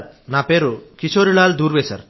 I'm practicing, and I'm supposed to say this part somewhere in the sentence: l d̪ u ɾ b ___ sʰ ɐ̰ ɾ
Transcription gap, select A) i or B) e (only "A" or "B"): B